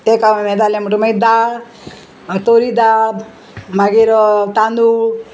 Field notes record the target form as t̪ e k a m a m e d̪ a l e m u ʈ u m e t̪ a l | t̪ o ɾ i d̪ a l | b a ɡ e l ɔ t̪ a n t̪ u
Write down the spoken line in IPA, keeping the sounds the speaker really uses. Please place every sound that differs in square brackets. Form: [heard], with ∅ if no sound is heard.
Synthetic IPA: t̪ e k a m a m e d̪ a l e m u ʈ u m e [d̪] a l | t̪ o ɾ i d̪ a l | [m] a ɡ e [ɾ] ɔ t̪ a n [d̪] u